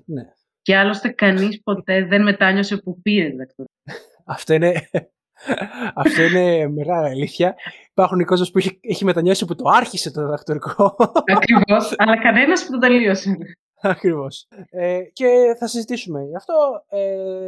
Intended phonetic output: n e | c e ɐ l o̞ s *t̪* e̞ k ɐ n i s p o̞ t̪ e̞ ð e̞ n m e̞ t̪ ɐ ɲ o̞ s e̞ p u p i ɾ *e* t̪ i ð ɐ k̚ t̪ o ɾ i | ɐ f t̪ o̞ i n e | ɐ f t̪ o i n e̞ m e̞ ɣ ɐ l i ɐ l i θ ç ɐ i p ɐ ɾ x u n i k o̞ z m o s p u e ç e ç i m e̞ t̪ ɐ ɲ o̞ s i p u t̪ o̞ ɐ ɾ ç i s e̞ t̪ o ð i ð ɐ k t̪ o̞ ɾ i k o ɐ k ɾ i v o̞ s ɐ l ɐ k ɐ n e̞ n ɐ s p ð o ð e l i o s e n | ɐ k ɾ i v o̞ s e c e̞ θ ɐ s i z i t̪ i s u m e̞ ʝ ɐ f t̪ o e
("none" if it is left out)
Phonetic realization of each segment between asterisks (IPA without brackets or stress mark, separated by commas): t̪, e